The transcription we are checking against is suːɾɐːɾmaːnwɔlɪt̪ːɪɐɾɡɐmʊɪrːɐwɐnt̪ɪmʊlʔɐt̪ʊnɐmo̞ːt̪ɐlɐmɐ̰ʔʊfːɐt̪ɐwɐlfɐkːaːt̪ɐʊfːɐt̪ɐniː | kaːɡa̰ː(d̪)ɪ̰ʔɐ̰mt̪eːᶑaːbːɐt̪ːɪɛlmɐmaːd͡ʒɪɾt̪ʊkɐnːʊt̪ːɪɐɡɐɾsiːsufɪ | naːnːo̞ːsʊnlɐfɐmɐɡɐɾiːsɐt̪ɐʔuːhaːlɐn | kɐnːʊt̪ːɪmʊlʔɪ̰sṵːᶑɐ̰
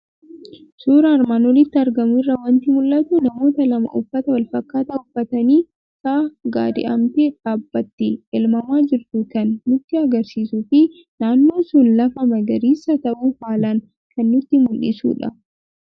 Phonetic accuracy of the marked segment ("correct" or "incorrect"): correct